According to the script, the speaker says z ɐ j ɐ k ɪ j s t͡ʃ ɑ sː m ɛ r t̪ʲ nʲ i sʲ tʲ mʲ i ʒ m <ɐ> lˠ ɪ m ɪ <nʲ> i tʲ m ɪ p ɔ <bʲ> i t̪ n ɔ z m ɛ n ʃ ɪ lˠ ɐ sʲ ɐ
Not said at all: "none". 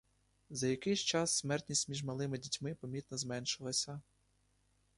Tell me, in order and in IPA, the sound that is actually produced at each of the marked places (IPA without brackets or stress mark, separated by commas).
ɐ, dʲ, mʲ